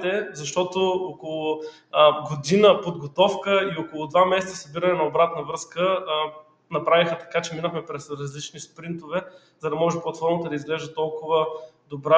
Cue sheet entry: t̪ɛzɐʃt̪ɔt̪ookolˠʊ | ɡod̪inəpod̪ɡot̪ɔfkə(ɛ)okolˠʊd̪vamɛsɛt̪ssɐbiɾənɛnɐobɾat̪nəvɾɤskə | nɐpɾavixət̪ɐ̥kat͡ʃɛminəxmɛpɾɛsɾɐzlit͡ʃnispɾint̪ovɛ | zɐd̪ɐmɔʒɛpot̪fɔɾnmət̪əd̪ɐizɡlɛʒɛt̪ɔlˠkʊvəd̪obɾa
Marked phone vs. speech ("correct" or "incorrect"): incorrect